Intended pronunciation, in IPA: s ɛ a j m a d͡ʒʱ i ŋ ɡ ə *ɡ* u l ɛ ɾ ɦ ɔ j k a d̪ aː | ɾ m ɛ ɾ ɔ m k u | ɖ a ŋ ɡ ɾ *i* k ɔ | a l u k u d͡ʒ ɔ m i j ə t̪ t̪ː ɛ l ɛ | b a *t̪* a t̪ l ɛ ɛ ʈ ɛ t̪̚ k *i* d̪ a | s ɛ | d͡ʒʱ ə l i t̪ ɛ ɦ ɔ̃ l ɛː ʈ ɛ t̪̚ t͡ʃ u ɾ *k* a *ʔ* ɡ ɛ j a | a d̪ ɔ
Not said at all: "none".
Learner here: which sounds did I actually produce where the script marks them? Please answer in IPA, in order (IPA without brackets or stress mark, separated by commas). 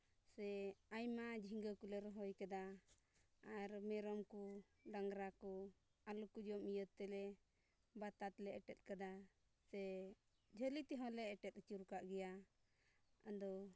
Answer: k, a, t̪, a, k, ʔ